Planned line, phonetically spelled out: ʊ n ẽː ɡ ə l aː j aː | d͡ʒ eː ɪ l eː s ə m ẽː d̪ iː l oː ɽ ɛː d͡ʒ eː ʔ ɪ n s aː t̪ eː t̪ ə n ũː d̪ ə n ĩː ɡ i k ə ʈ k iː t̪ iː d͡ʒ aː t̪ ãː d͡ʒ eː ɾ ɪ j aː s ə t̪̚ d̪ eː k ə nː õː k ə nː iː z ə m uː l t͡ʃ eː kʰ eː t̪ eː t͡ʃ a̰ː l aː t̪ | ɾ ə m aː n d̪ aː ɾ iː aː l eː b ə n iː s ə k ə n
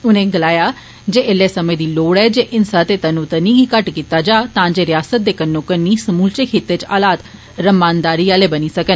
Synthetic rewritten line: ʊ n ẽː ɡ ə l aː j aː | d͡ʒ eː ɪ l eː s ə m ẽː d̪ iː l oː ɽ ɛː d͡ʒ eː ʔ ɪ n s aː t̪ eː t̪ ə n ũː t̪ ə n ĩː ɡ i k ə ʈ k iː t̪ aː d͡ʒ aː t̪ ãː d͡ʒ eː ɾ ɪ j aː s ə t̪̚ d̪ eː k ə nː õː k ə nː iː s ə m uː l t͡ʃ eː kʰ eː t̪ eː t͡ʃ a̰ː l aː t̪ | ɾ ə m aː n d̪ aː ɾ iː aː l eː b ə n iː s ə k ə n